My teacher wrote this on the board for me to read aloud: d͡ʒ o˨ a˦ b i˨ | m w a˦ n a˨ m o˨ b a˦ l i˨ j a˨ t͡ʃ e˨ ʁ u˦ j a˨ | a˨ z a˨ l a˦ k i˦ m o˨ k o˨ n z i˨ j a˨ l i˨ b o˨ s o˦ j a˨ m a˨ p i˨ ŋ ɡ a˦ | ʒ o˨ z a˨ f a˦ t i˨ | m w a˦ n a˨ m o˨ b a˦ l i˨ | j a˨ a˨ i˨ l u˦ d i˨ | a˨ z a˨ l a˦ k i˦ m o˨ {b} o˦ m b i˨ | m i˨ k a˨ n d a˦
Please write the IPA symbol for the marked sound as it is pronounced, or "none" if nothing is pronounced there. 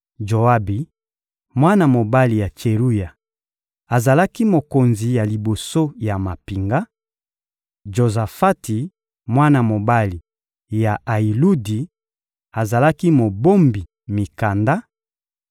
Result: b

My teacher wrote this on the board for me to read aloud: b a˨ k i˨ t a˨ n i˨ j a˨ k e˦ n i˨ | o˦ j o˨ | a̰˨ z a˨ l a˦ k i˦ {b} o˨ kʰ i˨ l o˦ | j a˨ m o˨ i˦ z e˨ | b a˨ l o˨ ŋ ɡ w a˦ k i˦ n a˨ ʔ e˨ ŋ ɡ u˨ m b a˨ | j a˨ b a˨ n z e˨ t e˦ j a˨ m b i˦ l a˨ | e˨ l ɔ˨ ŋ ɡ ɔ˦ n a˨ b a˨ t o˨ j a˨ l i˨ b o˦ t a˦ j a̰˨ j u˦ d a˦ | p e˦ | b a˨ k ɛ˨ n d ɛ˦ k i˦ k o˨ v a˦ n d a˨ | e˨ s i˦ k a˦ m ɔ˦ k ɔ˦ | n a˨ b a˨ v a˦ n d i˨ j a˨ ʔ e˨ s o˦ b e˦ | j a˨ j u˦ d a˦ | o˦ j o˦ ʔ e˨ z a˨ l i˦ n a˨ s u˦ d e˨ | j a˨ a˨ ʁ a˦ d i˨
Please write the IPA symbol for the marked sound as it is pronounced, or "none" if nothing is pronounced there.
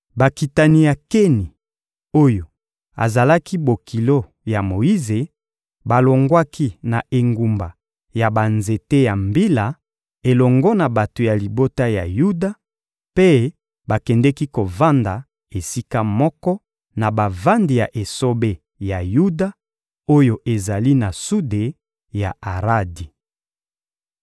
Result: b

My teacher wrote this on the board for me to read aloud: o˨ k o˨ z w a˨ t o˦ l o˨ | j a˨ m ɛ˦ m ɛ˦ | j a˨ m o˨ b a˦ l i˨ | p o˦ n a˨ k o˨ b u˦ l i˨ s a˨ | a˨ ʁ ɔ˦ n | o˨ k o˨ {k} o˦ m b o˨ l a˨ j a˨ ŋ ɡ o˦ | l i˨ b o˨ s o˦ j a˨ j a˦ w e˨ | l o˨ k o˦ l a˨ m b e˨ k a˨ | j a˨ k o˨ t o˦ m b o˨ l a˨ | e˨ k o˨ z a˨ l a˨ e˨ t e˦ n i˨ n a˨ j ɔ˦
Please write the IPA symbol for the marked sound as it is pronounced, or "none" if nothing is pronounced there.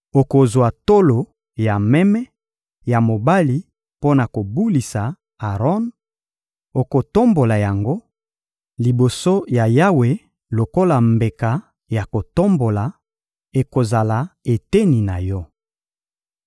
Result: t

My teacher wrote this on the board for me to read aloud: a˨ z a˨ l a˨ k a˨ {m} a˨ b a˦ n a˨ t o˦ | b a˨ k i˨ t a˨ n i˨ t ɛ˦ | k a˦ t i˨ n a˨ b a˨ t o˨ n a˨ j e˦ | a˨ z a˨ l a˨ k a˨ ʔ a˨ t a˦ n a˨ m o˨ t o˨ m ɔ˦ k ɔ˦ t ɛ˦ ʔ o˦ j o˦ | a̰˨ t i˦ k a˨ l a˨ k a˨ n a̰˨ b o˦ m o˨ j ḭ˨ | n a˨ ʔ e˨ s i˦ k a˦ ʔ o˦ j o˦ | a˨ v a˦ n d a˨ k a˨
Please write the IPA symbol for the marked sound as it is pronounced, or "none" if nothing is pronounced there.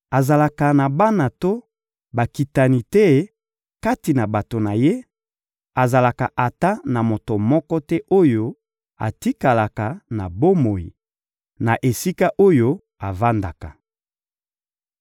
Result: n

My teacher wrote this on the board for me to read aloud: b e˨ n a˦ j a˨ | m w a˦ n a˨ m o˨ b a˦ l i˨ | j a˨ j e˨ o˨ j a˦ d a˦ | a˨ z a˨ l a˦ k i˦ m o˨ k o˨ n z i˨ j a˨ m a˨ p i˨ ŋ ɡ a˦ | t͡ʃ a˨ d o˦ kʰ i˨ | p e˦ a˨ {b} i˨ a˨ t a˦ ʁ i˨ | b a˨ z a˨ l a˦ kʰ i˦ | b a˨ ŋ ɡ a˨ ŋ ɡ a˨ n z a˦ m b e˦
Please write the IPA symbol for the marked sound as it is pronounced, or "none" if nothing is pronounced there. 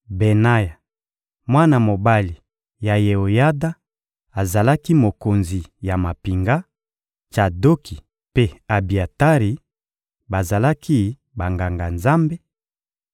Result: b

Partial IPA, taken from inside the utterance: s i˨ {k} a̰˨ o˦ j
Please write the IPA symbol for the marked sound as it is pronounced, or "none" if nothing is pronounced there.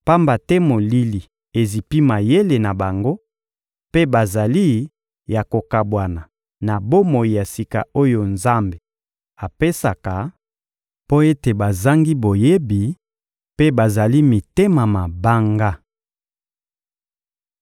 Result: k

